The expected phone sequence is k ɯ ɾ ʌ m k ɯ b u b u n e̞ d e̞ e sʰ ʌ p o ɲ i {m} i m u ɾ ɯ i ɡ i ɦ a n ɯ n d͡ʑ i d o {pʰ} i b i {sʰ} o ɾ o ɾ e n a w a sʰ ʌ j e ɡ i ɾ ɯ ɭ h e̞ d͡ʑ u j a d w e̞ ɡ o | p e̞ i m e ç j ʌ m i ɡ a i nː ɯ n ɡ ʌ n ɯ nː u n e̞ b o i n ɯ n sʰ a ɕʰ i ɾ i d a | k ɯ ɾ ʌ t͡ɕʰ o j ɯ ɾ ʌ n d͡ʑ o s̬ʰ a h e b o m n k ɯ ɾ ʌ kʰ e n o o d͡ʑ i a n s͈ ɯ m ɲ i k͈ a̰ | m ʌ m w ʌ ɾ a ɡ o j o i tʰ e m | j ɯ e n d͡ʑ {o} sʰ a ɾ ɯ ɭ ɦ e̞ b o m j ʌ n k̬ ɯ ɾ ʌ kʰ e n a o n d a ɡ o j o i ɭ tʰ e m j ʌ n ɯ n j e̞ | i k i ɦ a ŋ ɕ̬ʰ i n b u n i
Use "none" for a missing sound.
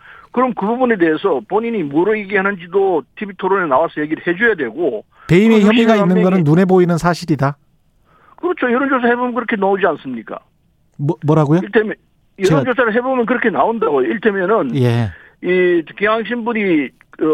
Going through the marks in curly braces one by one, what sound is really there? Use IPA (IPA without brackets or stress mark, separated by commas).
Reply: ɲ, tʰ, tʰ, o